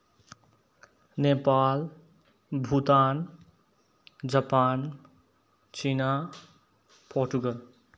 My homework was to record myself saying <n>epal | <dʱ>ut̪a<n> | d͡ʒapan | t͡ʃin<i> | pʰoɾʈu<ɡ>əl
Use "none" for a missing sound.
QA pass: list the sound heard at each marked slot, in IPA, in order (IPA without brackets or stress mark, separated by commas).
n, bʱ, n, a, ɡ